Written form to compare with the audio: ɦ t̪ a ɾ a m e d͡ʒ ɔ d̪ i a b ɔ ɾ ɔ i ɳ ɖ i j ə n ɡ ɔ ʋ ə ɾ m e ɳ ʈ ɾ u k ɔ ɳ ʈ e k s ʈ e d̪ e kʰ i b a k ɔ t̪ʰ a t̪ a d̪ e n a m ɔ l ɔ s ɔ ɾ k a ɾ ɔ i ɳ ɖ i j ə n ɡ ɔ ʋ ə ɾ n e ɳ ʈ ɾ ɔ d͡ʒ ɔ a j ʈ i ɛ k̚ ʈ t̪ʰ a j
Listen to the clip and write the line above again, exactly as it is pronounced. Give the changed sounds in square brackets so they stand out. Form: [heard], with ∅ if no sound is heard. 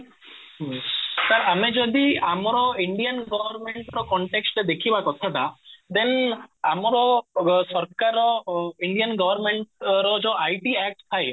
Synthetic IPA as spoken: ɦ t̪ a ɾ a m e d͡ʒ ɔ d̪ i a [m] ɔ ɾ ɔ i ɳ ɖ i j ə n ɡ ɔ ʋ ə ɾ m e ɳ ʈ ɾ [ɔ] k ɔ ɳ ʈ e k s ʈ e d̪ e kʰ i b a k ɔ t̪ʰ a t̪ a d̪ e n a m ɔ [ɾ] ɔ s ɔ ɾ k a ɾ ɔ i ɳ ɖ i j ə n ɡ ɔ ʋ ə ɾ [m] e ɳ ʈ ɾ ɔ d͡ʒ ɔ a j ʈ i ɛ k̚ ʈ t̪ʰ a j

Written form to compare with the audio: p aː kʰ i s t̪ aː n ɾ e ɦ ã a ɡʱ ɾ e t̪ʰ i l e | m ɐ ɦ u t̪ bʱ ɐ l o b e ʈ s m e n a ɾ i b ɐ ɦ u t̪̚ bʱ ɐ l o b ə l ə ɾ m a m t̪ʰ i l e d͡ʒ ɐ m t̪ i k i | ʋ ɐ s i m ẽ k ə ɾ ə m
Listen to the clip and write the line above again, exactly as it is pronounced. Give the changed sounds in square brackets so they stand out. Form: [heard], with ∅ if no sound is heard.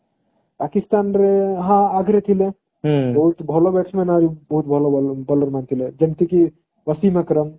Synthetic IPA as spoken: p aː [k] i s t̪ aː n ɾ e ɦ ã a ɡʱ ɾ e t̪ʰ i l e | [b] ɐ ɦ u t̪ bʱ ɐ l o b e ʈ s m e n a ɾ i b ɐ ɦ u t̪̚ bʱ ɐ l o b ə l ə ɾ m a [n] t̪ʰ i l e d͡ʒ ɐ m t̪ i k i | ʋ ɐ s i m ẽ k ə ɾ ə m

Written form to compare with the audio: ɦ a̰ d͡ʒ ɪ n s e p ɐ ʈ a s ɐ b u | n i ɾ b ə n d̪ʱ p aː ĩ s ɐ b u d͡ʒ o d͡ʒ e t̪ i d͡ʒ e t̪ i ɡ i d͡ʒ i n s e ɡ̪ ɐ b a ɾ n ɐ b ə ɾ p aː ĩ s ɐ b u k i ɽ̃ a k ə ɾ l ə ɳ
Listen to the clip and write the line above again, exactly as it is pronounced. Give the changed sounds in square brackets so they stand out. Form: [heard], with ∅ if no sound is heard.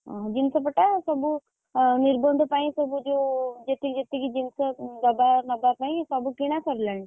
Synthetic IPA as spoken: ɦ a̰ d͡ʒ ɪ n s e p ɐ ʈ a s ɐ b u | n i ɾ b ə n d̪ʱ p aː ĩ s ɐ b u d͡ʒ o d͡ʒ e t̪ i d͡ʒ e t̪ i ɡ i d͡ʒ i n s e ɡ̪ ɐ b a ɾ n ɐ b [a] ɾ p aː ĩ s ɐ b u k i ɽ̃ a k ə ɾ l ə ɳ

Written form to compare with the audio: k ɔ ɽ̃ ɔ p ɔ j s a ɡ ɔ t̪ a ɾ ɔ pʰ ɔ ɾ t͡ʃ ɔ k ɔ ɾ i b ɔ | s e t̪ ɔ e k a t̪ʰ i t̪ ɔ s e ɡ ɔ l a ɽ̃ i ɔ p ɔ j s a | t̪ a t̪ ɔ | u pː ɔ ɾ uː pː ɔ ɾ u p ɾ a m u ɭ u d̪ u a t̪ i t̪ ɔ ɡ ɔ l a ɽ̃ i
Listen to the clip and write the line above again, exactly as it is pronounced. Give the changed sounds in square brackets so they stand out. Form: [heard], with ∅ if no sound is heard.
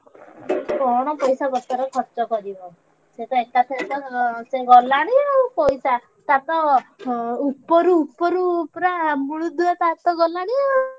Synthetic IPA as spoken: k ɔ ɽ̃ ɔ p ɔ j s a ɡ ɔ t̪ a ɾ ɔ [kʰ] ɔ ɾ t͡ʃ ɔ k ɔ ɾ i b ɔ | s e t̪ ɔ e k a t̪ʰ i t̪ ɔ s e ɡ ɔ l a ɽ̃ i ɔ p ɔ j s a | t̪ a t̪ ɔ | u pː ɔ ɾ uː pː ɔ ɾ u p ɾ a m u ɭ u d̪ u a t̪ [a] t̪ ɔ ɡ ɔ l a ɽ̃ i

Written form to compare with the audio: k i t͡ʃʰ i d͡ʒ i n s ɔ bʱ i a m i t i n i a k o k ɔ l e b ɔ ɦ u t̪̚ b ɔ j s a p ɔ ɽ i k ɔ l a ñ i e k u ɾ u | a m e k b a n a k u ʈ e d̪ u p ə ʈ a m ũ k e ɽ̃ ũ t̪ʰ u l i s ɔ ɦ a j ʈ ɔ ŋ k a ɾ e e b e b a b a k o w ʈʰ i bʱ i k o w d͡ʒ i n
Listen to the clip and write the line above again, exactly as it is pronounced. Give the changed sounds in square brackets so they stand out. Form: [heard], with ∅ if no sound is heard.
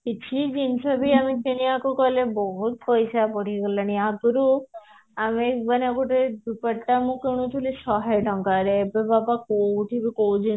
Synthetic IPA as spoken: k i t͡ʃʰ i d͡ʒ i n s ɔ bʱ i a m i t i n i a k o k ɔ l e b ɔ ɦ u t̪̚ [p] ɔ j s a p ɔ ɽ i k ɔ l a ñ i [a] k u ɾ u | a m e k b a n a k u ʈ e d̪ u p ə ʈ a m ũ k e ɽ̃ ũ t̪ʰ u l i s ɔ ɦ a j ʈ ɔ ŋ k a ɾ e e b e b a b a k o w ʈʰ i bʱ i k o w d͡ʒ i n

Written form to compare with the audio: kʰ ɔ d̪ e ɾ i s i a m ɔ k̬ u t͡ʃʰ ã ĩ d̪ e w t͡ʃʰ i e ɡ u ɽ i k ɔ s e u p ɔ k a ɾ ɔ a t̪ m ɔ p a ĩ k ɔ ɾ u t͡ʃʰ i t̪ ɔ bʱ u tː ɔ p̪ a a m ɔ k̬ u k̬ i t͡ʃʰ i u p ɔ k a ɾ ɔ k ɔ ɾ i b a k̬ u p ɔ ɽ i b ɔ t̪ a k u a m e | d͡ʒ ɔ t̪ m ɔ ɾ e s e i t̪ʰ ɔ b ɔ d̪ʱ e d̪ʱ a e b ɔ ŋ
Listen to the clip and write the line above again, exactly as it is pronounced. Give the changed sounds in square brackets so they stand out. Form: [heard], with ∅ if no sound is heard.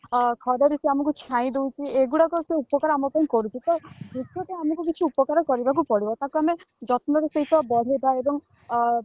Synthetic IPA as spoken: kʰ ɔ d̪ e ɾ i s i a m ɔ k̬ u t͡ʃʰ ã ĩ d̪ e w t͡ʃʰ i e ɡ u ɽ [a] k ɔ s e u p ɔ k a ɾ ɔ a [∅] m ɔ p a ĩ k ɔ ɾ u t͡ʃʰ i t̪ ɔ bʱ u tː ɔ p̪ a a m ɔ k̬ u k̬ i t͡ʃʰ i u p ɔ k a ɾ ɔ k ɔ ɾ i b a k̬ u p ɔ ɽ i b ɔ t̪ a k u a m e | d͡ʒ ɔ t̪ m ɔ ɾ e s e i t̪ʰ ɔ b ɔ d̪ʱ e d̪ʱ a e b ɔ ŋ

